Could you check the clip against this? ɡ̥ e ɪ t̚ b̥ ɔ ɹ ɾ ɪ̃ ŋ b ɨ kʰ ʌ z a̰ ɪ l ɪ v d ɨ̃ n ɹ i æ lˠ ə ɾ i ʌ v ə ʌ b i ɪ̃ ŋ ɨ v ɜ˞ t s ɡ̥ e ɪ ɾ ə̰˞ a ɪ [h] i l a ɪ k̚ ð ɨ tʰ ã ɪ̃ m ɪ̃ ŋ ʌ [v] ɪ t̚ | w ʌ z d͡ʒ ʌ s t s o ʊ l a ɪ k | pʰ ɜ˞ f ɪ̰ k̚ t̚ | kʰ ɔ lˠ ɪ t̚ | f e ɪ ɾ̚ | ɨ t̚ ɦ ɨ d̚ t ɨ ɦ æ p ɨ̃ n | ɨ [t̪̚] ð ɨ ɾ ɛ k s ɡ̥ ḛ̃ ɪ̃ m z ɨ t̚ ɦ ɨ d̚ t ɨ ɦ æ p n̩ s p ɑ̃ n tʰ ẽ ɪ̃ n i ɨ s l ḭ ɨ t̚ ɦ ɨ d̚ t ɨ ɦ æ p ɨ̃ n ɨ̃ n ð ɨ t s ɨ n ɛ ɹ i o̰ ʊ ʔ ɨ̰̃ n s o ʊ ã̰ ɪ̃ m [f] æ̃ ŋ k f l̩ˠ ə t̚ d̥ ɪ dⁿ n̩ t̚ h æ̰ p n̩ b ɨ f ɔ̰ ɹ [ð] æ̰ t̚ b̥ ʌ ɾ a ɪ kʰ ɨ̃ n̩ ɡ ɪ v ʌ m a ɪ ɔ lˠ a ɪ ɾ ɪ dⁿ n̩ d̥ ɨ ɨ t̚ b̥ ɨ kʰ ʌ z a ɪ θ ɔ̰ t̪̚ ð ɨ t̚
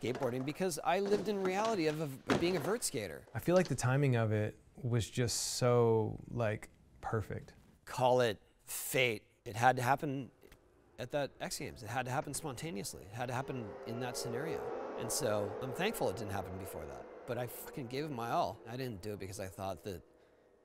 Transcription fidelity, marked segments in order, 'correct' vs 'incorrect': incorrect: f, correct, correct, incorrect: θ, correct

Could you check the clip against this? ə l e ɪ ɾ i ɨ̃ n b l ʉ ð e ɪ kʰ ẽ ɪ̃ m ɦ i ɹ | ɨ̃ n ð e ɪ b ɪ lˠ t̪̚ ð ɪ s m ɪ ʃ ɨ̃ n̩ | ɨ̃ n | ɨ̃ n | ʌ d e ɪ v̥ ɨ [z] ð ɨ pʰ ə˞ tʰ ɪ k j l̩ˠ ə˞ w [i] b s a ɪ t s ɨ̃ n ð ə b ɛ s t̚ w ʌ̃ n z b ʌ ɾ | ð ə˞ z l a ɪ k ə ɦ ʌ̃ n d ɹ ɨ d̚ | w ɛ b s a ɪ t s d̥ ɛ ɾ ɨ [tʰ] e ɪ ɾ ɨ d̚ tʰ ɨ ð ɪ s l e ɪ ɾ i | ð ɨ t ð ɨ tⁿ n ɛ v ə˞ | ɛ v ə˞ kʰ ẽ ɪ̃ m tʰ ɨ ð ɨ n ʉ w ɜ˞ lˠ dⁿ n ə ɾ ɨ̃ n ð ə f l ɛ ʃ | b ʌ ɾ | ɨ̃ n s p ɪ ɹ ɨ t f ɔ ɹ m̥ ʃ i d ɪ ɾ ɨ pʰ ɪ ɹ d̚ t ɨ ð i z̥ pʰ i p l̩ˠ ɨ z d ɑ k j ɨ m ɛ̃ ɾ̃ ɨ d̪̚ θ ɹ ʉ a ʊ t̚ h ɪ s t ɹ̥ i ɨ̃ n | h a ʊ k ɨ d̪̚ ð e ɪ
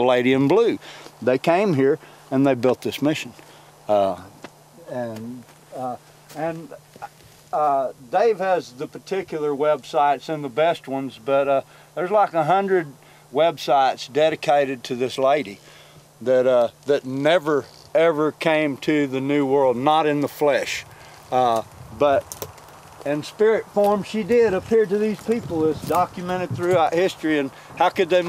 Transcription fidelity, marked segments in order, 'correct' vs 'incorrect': correct, incorrect: ɛ, incorrect: kʰ

